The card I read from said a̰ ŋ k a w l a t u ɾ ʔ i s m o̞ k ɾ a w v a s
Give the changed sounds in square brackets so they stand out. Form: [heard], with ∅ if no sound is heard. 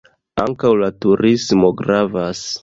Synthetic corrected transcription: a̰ ŋ k a w l a t u ɾ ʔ i s m o̞ [ɡ] ɾ a [∅] v a s

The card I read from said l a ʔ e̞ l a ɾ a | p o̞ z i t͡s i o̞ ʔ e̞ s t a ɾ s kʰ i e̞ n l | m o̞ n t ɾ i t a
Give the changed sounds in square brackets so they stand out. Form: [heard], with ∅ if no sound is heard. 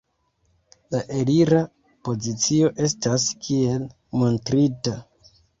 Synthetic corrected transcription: l a ʔ e̞ l [i] ɾ a | p o̞ z i t͡s i o̞ ʔ e̞ s t a [∅] s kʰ i e̞ [∅] l | m o̞ n t ɾ i t a

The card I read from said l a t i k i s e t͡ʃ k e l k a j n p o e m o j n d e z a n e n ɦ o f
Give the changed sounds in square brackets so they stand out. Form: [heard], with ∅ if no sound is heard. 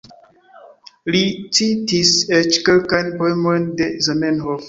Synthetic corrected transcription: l [i] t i [t] i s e t͡ʃ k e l k a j n p o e m o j n d e z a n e n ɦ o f

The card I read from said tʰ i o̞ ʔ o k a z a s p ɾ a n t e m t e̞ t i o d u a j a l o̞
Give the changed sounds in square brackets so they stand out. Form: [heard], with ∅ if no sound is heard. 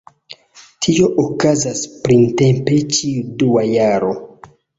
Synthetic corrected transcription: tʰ i o̞ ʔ o k a z a s p ɾ [i] n t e m [p] e̞ [t͡ʃ] i [u] d u a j a [ɾ] o̞

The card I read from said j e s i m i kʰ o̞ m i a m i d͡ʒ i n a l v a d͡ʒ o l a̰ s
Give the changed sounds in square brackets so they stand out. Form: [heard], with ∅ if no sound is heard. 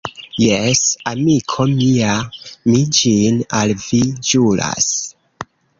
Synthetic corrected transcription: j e s [a] m i kʰ o̞ m i a m i d͡ʒ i n a l v [i] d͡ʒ [u] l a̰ s

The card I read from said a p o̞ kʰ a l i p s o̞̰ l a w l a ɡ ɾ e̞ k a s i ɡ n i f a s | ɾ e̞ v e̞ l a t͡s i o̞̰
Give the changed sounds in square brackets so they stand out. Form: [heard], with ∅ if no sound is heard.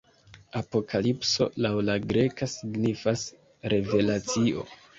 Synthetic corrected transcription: a p o̞ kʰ a l i p s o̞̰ l a w l a ɡ ɾ e̞ k a s i ɡ n i f a s | ɾ e̞ v e̞ l a t͡s i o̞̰

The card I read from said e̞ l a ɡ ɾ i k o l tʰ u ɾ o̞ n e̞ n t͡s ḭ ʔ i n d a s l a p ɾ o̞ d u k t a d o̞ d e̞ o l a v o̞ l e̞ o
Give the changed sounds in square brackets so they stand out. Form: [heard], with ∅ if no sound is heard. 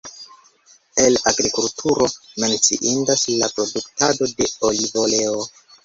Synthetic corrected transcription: e̞ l a ɡ ɾ i k [u] l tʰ u ɾ o̞ [m] e̞ n t͡s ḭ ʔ i n d a s l a p ɾ o̞ d u k t a d o̞ d e̞ o l [i] v o̞ l e̞ o

